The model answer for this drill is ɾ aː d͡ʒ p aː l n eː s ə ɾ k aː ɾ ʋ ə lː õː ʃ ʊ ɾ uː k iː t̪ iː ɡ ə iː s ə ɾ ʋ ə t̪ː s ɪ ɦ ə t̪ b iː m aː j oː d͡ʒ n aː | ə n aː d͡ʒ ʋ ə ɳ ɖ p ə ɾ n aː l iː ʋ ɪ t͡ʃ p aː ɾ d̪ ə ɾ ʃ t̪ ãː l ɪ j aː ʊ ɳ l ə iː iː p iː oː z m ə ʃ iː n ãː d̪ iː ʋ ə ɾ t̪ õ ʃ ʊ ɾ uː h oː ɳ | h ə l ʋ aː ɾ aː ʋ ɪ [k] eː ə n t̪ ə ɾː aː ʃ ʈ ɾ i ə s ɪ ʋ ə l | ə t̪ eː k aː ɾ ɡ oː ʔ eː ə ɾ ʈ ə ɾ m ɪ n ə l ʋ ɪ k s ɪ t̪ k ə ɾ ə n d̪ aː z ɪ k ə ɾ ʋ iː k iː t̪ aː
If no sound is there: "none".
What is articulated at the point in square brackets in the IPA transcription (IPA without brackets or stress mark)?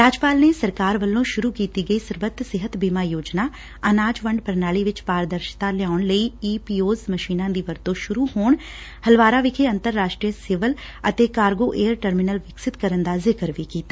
kʰ